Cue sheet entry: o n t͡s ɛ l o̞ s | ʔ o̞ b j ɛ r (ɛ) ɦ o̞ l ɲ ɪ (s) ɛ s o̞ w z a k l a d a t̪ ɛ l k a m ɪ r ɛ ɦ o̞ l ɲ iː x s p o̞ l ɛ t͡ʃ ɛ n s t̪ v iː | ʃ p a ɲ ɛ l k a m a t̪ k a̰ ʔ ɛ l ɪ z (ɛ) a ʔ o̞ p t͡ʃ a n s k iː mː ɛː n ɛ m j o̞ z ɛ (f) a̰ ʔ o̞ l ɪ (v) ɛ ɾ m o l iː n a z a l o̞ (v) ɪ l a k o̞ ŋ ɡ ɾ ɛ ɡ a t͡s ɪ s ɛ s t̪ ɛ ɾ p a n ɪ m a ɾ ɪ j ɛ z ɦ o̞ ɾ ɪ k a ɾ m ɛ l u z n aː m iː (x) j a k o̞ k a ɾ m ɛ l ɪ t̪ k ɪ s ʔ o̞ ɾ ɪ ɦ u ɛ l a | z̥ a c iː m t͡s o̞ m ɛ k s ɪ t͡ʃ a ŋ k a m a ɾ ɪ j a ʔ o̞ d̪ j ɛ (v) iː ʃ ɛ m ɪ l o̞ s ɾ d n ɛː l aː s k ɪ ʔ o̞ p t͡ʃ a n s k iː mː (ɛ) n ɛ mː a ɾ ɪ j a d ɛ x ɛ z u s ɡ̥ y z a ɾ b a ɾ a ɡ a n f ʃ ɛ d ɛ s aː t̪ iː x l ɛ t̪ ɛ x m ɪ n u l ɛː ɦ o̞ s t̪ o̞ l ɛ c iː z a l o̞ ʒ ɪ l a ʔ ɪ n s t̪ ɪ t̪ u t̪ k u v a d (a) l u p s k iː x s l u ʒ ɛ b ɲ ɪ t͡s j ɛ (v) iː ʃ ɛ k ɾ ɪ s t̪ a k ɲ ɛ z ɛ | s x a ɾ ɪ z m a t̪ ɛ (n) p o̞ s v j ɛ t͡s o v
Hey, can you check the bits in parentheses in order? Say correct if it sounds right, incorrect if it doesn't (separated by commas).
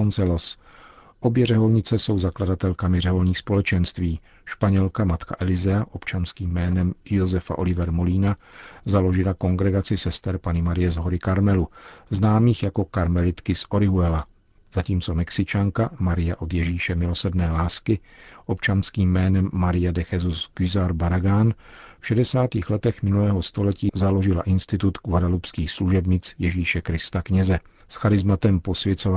correct, incorrect, correct, correct, correct, incorrect, correct, incorrect, incorrect, correct, incorrect, incorrect